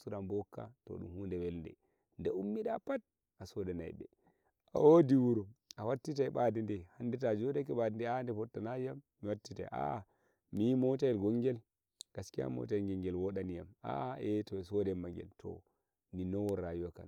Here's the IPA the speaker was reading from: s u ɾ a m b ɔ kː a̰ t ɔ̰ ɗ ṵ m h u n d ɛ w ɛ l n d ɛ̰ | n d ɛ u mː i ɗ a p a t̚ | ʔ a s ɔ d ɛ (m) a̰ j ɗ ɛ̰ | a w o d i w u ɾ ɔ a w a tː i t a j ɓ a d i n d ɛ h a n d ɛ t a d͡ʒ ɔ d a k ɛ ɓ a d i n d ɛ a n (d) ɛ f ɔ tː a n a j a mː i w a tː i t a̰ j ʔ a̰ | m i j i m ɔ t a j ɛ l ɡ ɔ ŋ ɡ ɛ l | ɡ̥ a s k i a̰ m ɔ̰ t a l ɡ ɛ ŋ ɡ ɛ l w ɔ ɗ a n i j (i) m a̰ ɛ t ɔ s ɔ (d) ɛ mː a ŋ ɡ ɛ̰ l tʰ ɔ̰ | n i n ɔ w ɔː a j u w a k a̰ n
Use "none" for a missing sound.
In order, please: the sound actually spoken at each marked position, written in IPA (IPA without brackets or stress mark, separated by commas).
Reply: n, d, a, d